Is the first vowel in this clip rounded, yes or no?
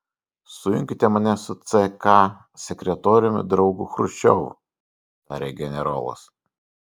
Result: yes